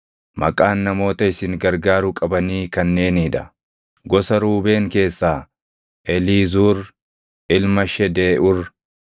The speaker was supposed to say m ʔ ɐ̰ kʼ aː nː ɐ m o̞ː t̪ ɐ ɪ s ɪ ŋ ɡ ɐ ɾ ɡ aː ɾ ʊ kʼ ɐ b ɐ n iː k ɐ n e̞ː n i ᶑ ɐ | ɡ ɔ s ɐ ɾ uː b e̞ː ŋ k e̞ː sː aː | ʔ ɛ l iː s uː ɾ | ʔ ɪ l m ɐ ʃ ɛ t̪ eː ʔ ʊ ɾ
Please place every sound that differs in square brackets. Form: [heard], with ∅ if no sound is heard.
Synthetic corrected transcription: m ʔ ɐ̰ kʼ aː nː ɐ m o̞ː t̪ ɐ ɪ s ɪ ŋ ɡ ɐ ɾ ɡ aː ɾ ʊ kʼ ɐ b ɐ n iː k ɐ [nː] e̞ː n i ᶑ ɐ | ɡ ɔ s ɐ ɾ uː b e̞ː ŋ k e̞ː sː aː | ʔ ɛ l iː [z] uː ɾ | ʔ ɪ l m ɐ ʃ ɛ [d̪] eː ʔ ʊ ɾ